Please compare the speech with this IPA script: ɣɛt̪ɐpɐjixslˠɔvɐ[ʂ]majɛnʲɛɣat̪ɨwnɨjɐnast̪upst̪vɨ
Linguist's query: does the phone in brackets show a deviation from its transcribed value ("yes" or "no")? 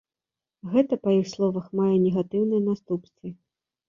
yes